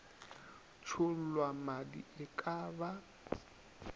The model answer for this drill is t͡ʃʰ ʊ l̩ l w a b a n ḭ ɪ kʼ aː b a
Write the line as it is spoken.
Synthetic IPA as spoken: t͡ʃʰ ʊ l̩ l w a m a d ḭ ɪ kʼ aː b a